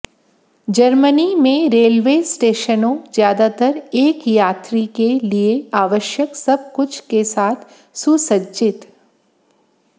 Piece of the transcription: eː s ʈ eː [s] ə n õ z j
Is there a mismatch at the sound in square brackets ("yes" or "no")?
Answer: yes